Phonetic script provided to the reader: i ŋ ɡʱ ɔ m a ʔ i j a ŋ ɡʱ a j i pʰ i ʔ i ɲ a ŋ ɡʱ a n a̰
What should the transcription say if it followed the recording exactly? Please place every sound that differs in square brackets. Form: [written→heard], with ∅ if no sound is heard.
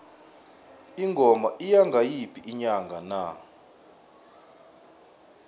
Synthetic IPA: i ŋ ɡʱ ɔ m a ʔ i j a ŋ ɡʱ a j i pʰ i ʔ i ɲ a ŋ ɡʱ a n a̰